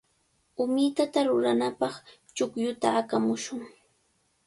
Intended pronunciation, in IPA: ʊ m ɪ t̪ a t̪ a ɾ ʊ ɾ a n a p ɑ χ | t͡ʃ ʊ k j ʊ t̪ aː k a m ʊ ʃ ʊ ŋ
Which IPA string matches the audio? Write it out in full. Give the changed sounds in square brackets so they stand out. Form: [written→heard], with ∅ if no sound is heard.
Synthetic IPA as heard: ʊ m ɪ t̪ a t̪ a ɾ ʊ ɾ a n a p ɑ χ | t͡ʃ ʊ k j ʊ t̪ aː k a m ʊ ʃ ʊ ŋ